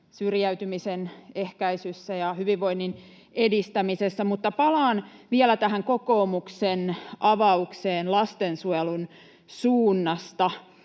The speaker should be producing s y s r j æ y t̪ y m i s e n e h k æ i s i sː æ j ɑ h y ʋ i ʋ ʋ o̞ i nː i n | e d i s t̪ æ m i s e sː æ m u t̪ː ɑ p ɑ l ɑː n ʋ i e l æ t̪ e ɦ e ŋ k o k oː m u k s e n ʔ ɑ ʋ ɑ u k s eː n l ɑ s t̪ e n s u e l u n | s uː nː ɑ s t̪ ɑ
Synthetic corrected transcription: s y r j æ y t̪ y m i s e n e h k æ i s y sː æ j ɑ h y ʋ i ʋ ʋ o̞ i nː i n | e d i s t̪ æ m i s e sː æ m u t̪ː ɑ p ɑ l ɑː n ʋ i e l æ t̪ æ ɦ æ ŋ k o k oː m u k s e n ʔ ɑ ʋ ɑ u k s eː n l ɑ s t̪ e n s u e l u n | s uː nː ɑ s t̪ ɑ